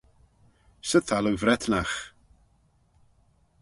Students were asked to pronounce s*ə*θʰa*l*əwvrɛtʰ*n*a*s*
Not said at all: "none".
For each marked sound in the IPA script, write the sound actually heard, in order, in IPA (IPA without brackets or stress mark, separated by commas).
ə, l, n, χ